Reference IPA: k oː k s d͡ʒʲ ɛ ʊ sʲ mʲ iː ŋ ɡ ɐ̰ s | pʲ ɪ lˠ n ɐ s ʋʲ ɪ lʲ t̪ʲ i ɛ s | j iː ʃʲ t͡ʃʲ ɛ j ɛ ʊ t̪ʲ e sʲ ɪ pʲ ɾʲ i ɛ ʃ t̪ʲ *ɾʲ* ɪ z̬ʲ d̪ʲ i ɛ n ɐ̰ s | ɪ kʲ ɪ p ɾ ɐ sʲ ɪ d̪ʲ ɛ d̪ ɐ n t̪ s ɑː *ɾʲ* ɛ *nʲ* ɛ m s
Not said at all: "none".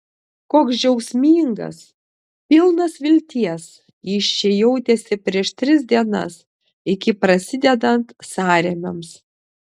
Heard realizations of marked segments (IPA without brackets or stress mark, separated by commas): ɾʲ, ɾʲ, mʲ